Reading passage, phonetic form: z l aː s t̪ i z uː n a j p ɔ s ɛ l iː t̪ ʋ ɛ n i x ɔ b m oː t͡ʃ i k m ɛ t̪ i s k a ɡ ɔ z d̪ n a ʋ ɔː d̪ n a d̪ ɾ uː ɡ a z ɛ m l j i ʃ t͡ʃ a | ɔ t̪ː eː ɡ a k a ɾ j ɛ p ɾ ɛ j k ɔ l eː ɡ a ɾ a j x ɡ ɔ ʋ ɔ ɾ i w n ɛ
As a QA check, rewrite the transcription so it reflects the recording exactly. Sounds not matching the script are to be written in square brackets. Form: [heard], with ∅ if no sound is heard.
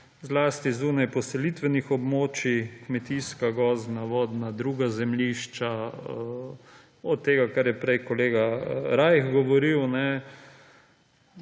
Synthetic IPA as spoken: z l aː s t̪ i z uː n a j p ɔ s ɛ l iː t̪ ʋ ɛ n i x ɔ b m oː t͡ʃ i k m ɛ t̪ i s k a ɡ ɔ z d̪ n a ʋ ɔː d̪ n a d̪ ɾ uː ɡ a z ɛ m l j i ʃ t͡ʃ a | ɔ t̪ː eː ɡ a k a ɾ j ɛ p ɾ ɛ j k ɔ l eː ɡ a ɾ a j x ɡ ɔ ʋ ɔ ɾ i w n ɛ